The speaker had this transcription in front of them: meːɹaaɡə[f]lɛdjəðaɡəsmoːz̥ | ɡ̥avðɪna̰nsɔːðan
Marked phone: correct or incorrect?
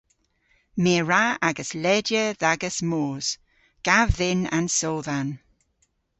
incorrect